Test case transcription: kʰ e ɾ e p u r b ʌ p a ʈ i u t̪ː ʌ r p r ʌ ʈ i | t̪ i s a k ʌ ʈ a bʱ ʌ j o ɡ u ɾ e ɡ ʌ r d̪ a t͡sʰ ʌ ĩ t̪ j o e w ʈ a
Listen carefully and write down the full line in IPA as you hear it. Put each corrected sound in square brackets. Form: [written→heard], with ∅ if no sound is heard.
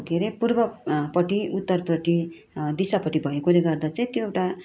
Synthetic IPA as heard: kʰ e ɾ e p u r b ʌ p [a→ʌ] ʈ i u t̪ː ʌ r p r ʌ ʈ i | [t̪→d̪] i s a [k→p] ʌ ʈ [a→i] bʱ ʌ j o [ɡ→k] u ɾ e ɡ ʌ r d̪ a [t͡sʰ→t͡s] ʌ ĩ t̪ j o e w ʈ a